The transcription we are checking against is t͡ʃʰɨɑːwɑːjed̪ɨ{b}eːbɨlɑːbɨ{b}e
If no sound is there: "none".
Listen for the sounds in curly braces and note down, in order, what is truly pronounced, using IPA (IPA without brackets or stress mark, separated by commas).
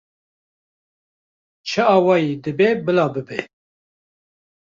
b, b